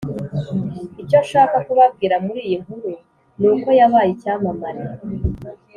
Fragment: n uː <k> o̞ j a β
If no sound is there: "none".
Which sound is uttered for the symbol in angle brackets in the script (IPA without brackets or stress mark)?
k